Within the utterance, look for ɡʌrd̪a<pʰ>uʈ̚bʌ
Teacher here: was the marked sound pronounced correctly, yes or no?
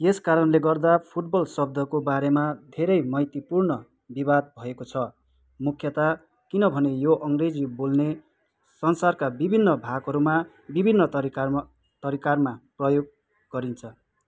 yes